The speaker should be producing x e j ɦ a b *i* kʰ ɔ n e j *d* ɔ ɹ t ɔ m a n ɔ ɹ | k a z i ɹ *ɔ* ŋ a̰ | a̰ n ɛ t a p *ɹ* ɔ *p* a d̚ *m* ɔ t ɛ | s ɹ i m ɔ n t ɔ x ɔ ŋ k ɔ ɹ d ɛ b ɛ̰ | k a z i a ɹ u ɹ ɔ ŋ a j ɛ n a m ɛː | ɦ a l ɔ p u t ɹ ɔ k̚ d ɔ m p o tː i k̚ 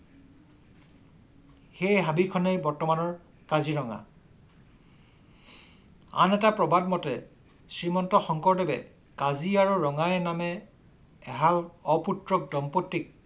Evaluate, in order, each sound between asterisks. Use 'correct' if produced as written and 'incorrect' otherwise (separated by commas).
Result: correct, incorrect, correct, correct, incorrect, correct